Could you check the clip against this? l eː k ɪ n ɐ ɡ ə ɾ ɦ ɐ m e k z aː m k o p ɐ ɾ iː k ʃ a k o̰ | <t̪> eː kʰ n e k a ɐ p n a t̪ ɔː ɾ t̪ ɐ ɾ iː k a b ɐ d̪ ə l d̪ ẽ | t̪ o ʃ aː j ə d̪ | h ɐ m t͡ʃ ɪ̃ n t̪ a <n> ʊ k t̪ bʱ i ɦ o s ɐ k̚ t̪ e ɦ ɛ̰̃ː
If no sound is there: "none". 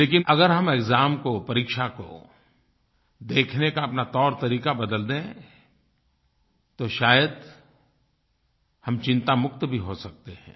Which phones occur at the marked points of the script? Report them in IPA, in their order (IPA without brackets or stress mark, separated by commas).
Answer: d̪, m